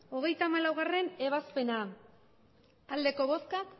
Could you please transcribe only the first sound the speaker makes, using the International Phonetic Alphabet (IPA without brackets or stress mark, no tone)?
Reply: o̞